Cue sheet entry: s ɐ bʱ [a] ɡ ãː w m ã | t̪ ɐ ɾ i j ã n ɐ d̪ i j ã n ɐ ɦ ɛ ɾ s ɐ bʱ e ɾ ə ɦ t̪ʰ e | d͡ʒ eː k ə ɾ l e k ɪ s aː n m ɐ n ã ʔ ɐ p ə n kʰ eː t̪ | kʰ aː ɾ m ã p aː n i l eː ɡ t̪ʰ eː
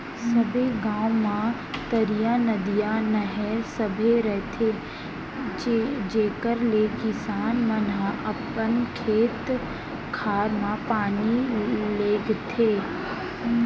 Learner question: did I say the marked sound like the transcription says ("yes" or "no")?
no